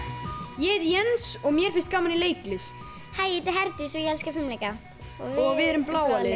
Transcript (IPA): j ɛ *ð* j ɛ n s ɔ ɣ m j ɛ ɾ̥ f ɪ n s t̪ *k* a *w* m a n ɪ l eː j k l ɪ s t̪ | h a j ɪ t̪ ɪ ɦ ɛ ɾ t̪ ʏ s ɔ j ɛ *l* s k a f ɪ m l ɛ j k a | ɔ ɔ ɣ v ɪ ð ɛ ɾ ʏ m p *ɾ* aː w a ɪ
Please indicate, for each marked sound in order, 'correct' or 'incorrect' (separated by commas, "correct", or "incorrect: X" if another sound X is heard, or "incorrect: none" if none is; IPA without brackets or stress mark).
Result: correct, correct, correct, correct, incorrect: l